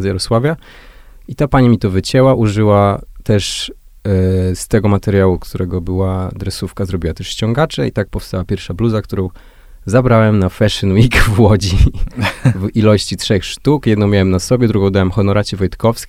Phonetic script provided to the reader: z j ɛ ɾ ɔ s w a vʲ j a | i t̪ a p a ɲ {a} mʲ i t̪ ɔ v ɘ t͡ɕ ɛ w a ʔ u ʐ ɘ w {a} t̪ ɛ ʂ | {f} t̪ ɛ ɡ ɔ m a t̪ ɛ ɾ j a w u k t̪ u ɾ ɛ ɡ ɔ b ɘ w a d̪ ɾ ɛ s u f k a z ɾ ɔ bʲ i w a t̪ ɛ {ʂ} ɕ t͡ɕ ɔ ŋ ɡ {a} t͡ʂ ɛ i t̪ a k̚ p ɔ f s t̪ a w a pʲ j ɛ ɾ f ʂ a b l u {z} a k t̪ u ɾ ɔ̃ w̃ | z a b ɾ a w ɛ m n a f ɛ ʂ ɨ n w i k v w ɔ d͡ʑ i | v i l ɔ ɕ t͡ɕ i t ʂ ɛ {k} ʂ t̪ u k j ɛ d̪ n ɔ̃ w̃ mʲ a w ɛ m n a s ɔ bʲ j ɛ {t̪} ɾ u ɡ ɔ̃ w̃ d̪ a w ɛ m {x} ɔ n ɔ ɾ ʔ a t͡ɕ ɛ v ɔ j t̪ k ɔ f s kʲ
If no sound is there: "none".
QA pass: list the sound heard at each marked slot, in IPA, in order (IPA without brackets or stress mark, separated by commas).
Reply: i, a, s, ʂ, a, z, x, d̪, x